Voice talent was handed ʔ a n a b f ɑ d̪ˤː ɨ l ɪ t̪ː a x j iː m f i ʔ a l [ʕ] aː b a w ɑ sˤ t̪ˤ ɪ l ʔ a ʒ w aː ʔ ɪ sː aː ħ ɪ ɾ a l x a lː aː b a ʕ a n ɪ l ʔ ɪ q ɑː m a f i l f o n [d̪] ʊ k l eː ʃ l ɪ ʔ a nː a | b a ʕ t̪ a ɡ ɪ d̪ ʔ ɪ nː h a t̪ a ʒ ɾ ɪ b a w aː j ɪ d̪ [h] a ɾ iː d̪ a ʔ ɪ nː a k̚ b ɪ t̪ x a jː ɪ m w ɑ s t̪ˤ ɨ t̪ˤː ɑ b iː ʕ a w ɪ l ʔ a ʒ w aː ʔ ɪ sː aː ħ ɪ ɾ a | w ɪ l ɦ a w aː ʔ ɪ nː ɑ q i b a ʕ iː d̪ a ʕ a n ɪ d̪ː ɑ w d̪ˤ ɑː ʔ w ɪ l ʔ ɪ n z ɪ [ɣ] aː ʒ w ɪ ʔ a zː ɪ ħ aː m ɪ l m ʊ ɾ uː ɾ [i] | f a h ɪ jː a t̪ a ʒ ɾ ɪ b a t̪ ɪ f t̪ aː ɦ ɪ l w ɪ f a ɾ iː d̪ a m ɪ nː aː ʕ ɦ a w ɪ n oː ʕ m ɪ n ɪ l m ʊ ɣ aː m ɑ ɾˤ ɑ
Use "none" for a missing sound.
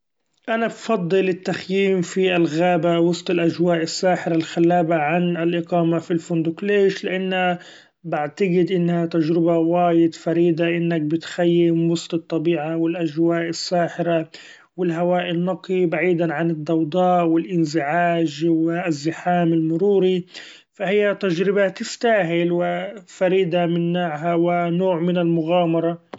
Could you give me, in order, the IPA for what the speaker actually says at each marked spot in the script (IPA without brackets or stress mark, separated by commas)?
ɣ, d̪, f, ʕ, i